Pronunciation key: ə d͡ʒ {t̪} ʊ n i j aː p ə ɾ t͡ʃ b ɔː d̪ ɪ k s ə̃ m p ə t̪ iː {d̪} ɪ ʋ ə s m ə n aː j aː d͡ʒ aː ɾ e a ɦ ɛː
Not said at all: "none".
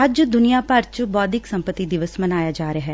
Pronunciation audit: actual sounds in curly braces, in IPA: d̪, d̪

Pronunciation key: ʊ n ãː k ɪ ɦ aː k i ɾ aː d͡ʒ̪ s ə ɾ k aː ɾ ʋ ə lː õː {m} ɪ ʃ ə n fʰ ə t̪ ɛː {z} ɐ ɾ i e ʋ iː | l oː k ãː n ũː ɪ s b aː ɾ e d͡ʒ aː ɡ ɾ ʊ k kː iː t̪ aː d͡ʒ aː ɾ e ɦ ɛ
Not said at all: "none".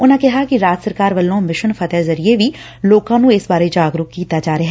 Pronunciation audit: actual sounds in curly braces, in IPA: m, z

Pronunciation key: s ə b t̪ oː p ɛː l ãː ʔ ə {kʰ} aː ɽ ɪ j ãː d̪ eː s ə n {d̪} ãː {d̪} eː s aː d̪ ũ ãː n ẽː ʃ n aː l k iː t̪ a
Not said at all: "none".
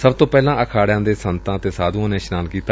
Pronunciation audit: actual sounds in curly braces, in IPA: kʰ, t̪, t̪

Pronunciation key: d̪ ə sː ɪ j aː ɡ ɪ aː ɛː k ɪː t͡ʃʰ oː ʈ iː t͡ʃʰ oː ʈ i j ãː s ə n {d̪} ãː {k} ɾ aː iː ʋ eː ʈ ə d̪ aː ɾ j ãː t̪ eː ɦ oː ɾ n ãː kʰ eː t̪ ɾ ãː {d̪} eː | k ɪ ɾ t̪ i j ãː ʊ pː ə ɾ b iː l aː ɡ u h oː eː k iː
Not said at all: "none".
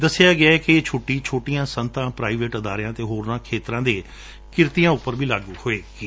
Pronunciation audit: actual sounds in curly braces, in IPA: t̪, p, d̪

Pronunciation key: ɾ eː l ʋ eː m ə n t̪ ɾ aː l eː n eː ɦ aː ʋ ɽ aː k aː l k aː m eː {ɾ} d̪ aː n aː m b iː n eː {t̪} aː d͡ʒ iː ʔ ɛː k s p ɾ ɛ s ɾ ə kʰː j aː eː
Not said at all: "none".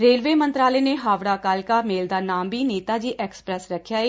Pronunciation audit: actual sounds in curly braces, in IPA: l, t̪

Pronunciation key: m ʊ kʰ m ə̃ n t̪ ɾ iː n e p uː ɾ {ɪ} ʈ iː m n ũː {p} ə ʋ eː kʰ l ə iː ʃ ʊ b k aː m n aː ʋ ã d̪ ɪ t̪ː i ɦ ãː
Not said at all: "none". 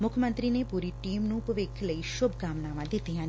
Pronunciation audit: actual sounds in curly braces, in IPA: i, p

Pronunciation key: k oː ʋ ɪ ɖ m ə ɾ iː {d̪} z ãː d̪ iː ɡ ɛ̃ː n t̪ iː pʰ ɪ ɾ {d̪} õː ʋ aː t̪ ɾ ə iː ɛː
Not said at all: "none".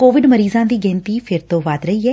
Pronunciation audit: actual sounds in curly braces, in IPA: none, t̪

